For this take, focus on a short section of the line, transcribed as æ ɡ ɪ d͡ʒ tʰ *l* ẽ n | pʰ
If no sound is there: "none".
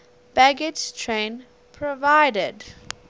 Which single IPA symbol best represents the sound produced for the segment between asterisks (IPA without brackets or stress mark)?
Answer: ɹ